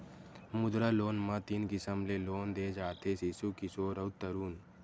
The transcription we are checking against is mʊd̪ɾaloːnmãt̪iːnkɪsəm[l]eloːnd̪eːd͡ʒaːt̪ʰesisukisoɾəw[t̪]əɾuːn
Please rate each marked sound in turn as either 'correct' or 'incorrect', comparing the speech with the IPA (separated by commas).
correct, correct